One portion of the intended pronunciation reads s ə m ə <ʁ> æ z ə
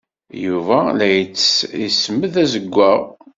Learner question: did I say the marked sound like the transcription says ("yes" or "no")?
no